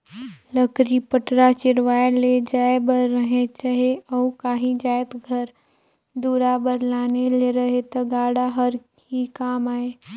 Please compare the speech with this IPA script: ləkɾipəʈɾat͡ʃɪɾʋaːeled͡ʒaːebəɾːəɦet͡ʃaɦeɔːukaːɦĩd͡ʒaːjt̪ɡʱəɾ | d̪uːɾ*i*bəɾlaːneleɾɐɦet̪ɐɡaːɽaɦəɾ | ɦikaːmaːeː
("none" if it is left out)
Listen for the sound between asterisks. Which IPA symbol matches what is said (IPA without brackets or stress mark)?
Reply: a